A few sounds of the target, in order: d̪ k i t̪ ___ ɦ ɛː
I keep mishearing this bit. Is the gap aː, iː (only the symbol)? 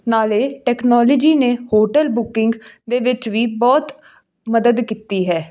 iː